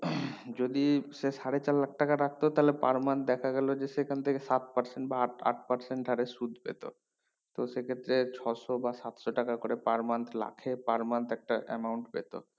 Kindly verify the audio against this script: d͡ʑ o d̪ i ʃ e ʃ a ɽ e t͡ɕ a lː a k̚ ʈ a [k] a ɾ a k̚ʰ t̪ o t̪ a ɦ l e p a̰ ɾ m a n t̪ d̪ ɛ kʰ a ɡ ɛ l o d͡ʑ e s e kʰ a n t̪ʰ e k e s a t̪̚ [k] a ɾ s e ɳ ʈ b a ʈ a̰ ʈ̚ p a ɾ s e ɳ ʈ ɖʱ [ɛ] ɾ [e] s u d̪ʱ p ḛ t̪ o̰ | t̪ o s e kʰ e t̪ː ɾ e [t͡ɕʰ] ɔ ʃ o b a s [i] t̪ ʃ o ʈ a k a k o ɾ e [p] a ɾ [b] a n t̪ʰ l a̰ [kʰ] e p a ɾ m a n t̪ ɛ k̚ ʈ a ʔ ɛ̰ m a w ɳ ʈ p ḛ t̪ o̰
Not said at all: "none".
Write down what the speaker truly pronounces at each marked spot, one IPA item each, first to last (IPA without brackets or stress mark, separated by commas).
k, p, a, e, t͡ɕʰ, a, p, m, kʰ